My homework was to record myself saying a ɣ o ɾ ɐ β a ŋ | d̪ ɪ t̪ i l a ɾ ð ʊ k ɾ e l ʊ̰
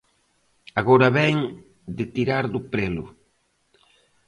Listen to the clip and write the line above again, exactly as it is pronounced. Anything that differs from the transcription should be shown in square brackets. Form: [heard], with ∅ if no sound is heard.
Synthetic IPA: a ɣ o ɾ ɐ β [ɛ] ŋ | d̪ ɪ t̪ i [ɾ] a ɾ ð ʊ [p] ɾ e l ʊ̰